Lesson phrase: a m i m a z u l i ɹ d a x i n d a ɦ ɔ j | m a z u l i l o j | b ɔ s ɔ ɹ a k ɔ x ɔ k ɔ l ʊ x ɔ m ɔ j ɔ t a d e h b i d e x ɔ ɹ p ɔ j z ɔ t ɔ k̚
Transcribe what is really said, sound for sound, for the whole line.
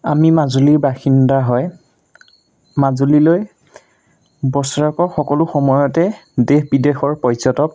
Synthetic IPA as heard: a m i m a z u l i ɹ b a x i n d a ɦ ɔ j | m a z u l i l o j | b ɔ s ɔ ɹ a k ɔ x ɔ k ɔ l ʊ x ɔ m ɔ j ɔ t ɛ d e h b i d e x ɔ ɹ p ɔ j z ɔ t ɔ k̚